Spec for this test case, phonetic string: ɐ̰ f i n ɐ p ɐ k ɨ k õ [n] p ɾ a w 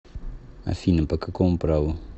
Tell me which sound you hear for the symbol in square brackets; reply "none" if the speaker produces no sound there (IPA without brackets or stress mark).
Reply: m